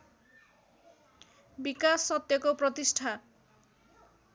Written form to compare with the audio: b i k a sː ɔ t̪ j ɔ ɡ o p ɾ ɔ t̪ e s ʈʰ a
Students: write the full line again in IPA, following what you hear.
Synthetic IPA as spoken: b i k a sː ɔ t̪ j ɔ k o p ɾ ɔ t̪ i s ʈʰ a